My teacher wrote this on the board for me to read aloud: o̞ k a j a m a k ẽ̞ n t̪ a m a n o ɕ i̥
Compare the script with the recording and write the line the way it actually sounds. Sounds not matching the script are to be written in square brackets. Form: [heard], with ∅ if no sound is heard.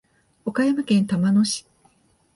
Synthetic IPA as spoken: o̞ k a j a m a k ẽ̞ n t̪ a m a n o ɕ i̥

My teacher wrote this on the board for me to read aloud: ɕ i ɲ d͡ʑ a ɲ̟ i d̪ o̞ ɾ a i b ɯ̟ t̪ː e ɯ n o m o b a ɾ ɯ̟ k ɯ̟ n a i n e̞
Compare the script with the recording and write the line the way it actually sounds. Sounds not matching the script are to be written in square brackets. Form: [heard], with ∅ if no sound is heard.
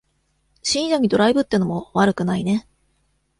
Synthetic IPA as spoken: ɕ [ĩ] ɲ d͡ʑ a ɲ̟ i d̪ o̞ ɾ a i b ɯ̟ t̪ː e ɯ n o m o [β] a ɾ ɯ̟ k ɯ̟ n a i n e̞

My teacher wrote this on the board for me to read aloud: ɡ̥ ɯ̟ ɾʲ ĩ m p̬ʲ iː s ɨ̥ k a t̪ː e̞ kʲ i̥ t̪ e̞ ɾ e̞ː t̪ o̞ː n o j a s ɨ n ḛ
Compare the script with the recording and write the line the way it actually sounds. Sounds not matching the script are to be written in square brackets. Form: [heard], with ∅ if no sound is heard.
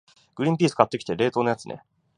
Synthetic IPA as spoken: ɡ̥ ɯ̟ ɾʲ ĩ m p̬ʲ iː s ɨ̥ k a t̪ː e̞ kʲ i̥ t̪ e̞ ɾ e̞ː t̪ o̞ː n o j a [t͡s] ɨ n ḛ

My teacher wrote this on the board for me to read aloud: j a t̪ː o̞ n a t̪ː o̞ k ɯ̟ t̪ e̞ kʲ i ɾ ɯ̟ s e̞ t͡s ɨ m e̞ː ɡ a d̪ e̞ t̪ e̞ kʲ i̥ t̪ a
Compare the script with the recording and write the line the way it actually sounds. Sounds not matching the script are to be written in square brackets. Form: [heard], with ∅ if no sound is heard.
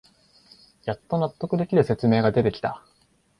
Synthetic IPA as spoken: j a t̪ː o̞ n a t̪ː o̞ k ɯ̟ [d̪] e̞ kʲ i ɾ ɯ̟ s e̞ t͡s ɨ m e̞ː ɡ a d̪ e̞ t̪ e̞ kʲ i̥ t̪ a

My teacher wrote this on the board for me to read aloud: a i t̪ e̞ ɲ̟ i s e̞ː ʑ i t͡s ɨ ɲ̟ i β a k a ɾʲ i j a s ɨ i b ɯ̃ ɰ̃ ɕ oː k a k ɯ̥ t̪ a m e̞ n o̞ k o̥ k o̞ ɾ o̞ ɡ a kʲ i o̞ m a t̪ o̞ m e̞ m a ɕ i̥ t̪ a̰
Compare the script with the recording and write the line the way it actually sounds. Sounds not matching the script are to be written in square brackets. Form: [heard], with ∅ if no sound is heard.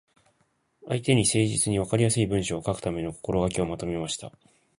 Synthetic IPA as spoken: a i t̪ e̞ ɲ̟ i s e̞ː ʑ i t͡s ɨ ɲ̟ i β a k a ɾʲ i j a s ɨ i b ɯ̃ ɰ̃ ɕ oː k a k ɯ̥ t̪ a m e̞ n o̞ k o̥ k o̞ ɾ o̞ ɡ a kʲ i o̞ m a t̪ o̞ m e̞ m a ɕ i̥ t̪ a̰

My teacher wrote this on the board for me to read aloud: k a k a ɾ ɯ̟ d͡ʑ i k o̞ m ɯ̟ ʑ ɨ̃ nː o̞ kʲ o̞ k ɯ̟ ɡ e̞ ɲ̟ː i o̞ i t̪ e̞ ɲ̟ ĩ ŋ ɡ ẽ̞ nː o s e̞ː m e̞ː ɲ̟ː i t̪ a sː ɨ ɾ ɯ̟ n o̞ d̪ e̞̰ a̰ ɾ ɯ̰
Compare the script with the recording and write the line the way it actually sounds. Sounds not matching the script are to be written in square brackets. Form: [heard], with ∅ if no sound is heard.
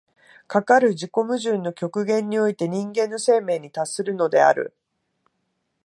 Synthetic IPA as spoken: k a k a ɾ ɯ̟ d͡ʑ i k o̞ m ɯ̟ ʑ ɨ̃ nː o̞ kʲ o̞ k ɯ̟ ɡ [ẽ̞] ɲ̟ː i o̞ i t̪ e̞ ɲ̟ ĩ ŋ ɡ ẽ̞ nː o s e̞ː m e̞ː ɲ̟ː i t̪ a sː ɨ ɾ ɯ̟ n o̞ d̪ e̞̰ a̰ ɾ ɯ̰

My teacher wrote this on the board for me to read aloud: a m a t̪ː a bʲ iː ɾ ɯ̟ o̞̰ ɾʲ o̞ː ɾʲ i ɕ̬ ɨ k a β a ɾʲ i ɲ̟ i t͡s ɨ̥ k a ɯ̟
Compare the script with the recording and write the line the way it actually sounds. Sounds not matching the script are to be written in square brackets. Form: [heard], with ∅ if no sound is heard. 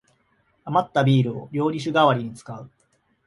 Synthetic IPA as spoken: a m a t̪ː a bʲ iː ɾ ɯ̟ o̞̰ ɾʲ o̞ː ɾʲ i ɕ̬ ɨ [ɡ] a β a ɾʲ i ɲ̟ i t͡s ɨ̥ k a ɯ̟

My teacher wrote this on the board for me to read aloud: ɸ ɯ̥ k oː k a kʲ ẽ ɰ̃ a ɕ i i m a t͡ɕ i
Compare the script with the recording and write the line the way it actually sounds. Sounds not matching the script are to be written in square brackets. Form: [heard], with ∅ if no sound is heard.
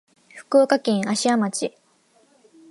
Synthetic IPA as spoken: ɸ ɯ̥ k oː k a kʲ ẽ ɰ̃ a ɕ i [a] m a t͡ɕ i

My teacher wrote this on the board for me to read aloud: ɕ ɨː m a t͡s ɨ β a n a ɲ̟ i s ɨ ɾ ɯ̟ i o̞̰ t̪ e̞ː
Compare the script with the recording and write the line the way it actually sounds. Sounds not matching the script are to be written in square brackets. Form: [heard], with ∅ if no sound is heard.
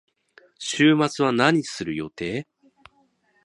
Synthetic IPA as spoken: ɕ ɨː m a t͡s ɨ β a n a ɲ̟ i s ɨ ɾ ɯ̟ [j] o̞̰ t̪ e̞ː

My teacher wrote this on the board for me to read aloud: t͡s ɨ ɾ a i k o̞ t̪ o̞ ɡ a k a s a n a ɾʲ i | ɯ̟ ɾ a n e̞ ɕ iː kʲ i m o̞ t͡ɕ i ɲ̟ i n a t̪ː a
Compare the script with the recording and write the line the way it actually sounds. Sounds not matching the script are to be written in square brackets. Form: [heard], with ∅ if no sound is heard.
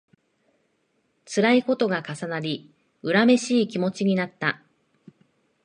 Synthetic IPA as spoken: t͡s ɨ ɾ a i k o̞ t̪ o̞ ɡ a k a s a n a ɾʲ i | ɯ̟ ɾ a [m] e̞ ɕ iː kʲ i m o̞ t͡ɕ i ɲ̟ i n a t̪ː a

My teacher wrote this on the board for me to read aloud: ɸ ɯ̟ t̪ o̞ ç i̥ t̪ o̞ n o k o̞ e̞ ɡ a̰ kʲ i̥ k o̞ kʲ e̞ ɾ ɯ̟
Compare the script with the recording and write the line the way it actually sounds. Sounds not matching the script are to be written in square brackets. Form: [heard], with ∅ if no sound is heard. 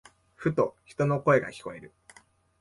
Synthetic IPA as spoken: ɸ ɯ̟ t̪ o̞ ç i̥ t̪ o̞ n o k o̞ e̞ ɡ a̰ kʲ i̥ k o̞ [∅] e̞ ɾ ɯ̟

